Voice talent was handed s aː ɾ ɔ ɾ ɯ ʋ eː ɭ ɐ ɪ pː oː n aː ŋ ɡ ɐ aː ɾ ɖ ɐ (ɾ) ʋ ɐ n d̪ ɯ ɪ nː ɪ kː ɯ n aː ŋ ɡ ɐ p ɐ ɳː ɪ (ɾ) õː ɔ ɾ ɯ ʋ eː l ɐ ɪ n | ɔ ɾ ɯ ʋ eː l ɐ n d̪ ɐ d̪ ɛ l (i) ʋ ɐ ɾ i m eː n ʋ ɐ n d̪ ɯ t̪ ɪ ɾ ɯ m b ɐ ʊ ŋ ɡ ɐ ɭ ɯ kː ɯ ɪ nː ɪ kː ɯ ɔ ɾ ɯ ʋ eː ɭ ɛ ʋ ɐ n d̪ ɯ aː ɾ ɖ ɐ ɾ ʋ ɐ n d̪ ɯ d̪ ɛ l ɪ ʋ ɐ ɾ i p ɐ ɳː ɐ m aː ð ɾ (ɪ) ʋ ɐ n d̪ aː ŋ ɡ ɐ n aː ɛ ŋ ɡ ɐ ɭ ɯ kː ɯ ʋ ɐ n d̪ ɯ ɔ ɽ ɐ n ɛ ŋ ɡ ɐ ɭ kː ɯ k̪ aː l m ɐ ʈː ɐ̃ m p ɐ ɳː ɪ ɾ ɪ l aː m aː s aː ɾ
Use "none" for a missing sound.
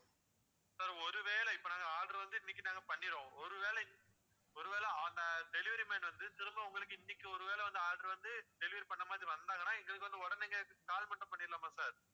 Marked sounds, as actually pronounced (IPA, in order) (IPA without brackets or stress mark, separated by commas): ɾ, ɾ, ɪ, i